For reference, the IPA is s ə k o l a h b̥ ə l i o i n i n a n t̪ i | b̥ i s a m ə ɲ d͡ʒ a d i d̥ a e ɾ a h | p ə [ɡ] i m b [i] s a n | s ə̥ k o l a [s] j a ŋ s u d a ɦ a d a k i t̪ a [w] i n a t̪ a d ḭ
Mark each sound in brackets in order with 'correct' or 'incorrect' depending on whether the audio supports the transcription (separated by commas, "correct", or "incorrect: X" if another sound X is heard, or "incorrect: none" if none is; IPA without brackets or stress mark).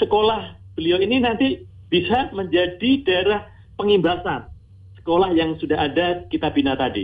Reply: incorrect: ŋ, incorrect: a, incorrect: h, incorrect: b